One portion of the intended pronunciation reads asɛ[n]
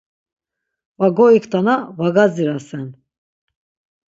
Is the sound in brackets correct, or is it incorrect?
correct